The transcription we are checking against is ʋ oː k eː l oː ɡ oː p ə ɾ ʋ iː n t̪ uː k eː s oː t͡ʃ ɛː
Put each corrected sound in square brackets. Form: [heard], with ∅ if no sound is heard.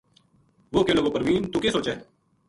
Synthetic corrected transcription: ʋ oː k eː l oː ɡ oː p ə ɾ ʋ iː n t̪ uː k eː s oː t͡ʃ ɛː